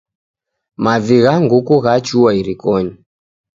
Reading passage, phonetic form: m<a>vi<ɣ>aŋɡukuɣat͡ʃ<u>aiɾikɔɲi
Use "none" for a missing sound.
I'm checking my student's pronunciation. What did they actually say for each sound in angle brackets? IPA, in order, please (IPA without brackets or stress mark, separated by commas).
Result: a, ɣ, u